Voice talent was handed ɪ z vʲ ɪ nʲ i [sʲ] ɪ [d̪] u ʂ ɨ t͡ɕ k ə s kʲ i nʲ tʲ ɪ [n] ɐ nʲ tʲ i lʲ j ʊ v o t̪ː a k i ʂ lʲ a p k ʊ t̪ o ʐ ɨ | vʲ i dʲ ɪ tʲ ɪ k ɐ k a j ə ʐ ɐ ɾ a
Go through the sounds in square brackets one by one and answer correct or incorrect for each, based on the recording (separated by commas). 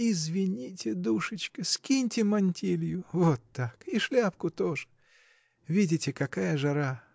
incorrect, correct, incorrect